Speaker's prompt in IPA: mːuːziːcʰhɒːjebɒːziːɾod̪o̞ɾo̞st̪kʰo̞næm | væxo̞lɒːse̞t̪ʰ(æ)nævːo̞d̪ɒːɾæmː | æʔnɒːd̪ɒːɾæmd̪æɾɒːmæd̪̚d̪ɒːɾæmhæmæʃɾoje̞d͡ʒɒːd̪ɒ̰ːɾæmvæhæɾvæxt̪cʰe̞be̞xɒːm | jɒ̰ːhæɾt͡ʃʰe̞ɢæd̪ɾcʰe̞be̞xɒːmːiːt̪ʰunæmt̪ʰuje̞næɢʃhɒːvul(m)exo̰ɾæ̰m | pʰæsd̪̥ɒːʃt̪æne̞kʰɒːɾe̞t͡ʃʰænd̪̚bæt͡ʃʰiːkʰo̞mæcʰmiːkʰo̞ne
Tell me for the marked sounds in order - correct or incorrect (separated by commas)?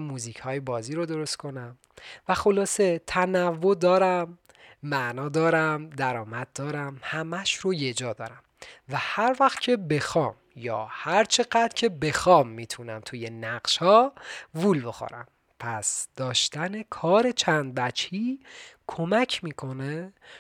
correct, incorrect